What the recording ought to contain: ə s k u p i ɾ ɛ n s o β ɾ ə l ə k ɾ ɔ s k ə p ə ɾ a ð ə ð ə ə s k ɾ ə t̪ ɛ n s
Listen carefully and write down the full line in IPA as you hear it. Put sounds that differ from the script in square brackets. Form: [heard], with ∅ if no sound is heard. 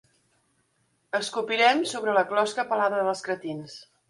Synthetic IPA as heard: ə s k u p i ɾ ɛ [m] s o β ɾ ə l ə k [l] ɔ s k ə p ə [l] a ð ə ð ə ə s k ɾ ə t̪ [i] n s